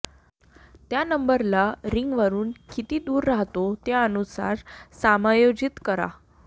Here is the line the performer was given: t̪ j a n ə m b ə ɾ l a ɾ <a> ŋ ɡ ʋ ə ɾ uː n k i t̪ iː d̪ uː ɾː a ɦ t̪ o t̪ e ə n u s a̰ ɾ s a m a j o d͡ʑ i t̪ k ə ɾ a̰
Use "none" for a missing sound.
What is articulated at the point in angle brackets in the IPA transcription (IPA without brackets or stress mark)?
i